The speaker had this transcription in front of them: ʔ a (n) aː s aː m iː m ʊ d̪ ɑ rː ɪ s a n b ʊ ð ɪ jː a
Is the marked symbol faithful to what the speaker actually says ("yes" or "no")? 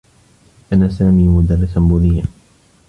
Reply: yes